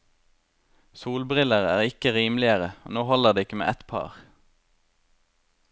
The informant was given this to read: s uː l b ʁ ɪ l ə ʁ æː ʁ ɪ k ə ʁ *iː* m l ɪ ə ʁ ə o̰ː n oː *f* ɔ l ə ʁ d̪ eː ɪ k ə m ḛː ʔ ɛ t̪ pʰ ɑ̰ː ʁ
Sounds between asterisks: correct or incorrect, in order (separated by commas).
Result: correct, incorrect